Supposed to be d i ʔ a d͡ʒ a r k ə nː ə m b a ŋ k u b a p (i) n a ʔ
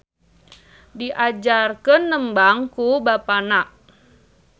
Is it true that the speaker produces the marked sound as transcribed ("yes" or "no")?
no